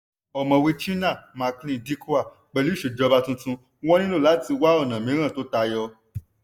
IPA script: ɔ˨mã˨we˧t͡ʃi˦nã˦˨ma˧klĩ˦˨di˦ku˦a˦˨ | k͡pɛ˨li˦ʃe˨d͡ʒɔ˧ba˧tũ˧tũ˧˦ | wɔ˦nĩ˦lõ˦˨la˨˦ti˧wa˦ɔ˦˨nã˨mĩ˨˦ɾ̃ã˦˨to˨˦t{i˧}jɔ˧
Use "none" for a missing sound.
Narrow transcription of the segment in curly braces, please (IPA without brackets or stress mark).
a˧